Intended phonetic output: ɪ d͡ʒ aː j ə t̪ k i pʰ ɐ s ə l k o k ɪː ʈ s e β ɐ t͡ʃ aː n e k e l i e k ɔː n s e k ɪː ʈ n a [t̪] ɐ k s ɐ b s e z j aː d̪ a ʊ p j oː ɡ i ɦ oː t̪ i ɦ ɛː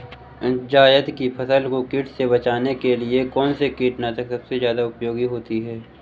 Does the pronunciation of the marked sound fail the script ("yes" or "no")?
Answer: no